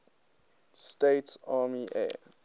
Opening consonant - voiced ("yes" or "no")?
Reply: no